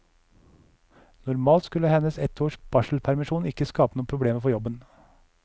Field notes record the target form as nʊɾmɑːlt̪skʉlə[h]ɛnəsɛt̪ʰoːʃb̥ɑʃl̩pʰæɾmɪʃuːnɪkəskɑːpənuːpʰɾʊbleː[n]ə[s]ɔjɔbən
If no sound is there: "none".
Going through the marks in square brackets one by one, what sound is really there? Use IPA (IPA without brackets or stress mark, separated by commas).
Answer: h, m, f